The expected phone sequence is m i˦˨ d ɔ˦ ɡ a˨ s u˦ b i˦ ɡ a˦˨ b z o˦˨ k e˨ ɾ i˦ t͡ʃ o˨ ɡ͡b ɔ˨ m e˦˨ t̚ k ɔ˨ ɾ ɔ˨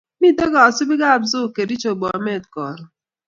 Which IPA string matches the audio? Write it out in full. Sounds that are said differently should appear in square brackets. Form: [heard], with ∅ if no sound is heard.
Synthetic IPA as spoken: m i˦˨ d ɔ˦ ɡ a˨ s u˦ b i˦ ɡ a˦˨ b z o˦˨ k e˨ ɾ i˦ t͡ʃ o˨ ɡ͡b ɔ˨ m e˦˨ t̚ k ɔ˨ ɾ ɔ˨